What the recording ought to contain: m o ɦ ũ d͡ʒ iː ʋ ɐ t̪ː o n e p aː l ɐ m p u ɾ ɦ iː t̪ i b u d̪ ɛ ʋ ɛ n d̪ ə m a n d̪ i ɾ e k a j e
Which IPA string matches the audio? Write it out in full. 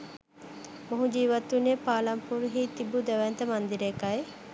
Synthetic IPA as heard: m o ɦ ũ d͡ʒ iː ʋ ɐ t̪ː u n e p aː l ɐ m p u ɾ ɦ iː t̪ i b u d̪ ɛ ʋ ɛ n t̪ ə m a n d̪ i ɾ e k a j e